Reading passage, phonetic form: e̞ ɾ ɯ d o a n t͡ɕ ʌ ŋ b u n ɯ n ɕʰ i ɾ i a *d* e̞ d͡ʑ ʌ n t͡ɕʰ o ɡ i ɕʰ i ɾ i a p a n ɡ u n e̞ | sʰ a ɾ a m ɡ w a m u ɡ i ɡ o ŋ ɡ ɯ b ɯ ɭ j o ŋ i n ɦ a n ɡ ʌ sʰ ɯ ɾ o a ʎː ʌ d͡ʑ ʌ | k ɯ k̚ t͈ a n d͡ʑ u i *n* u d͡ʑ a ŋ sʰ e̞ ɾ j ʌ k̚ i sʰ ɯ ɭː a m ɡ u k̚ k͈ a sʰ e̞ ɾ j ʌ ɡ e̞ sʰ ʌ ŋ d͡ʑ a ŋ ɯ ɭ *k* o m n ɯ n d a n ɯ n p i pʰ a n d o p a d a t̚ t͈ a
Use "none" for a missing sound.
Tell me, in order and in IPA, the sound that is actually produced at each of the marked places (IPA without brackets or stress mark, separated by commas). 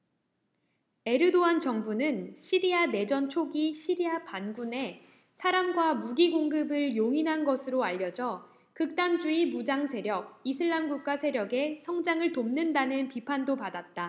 n, m, t